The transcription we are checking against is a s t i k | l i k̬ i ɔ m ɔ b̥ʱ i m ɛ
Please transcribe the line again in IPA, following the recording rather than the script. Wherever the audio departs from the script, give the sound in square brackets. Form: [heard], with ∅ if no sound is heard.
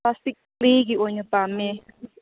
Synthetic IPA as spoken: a s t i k | l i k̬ i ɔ [ɲ] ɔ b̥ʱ [a] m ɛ